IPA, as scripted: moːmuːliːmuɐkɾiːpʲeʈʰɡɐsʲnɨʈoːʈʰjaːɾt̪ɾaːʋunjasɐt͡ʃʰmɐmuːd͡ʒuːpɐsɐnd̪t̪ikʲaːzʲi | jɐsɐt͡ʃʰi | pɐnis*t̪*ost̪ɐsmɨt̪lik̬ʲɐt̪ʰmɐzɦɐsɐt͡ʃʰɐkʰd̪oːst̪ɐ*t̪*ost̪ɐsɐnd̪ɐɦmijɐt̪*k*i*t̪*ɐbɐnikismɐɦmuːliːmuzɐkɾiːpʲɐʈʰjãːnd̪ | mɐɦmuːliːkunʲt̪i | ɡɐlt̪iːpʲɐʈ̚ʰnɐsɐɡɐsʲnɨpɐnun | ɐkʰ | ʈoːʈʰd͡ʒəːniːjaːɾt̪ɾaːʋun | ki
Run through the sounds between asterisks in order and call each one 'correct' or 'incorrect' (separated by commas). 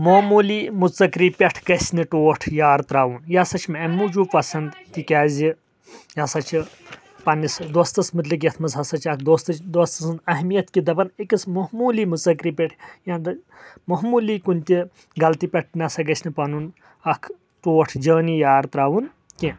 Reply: incorrect, incorrect, correct, incorrect